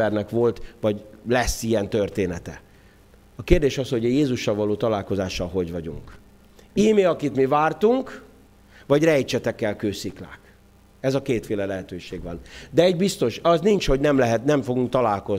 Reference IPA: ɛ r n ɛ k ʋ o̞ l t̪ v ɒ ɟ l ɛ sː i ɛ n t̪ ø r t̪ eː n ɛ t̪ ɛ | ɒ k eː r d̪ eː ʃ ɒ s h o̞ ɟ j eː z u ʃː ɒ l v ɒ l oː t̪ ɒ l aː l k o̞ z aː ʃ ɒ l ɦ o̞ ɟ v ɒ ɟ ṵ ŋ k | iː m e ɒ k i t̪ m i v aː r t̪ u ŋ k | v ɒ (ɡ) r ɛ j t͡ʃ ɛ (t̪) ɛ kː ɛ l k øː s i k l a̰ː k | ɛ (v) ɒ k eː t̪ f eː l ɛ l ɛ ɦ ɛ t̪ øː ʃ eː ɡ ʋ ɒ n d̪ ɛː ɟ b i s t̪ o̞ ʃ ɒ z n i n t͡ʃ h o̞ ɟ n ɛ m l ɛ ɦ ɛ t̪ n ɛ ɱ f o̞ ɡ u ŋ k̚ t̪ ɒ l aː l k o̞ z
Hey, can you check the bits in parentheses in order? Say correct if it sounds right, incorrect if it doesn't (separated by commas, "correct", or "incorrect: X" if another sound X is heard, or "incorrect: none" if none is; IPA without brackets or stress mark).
incorrect: ɟ, correct, incorrect: z